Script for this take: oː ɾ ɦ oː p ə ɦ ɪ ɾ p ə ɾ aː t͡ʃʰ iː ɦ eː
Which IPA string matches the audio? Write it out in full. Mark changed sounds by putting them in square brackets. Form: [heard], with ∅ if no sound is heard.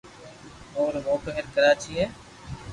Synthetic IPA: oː ɾ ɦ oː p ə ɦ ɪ ɾ [k] ə ɾ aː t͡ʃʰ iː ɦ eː